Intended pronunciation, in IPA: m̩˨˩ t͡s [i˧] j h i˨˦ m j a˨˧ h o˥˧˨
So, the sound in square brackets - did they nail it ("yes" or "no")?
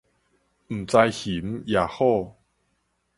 no